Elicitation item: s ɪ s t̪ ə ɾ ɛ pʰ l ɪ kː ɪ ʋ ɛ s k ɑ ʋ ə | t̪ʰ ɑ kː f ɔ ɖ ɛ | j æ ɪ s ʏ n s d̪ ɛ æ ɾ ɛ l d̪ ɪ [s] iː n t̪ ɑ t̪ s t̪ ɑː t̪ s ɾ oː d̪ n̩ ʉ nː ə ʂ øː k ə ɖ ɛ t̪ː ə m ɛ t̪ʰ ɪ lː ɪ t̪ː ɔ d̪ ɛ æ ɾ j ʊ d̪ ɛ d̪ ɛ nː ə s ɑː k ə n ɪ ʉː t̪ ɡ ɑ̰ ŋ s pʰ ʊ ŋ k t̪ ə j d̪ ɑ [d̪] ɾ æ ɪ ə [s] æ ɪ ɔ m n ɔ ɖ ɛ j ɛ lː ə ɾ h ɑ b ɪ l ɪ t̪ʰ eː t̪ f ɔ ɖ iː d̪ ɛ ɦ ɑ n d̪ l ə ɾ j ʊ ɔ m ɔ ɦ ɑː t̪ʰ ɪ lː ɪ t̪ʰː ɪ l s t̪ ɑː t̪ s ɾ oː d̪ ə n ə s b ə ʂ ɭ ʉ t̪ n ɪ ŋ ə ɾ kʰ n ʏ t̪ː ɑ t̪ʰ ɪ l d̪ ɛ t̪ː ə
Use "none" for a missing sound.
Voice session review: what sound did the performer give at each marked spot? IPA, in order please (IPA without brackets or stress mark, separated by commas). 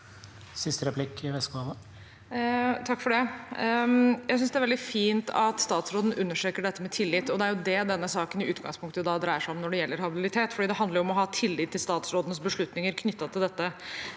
f, d̪, ʂ